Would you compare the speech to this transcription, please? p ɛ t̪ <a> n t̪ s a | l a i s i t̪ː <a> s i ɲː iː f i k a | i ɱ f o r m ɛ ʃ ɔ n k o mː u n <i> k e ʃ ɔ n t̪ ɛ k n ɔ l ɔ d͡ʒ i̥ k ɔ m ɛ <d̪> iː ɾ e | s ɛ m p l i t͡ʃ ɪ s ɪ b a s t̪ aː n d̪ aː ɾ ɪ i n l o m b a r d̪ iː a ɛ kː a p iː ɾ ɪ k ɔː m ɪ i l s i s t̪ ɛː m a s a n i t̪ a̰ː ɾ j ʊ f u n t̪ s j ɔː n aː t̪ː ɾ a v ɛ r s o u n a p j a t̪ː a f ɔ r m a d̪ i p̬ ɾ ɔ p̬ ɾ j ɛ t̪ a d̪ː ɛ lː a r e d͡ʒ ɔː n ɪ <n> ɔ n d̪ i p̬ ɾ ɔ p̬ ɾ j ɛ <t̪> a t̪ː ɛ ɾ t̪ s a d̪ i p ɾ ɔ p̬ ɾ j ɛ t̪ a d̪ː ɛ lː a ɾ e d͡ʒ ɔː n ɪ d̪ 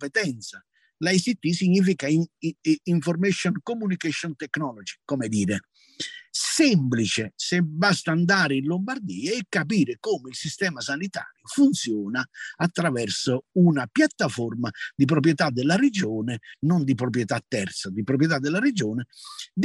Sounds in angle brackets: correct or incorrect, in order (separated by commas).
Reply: incorrect, incorrect, correct, correct, correct, correct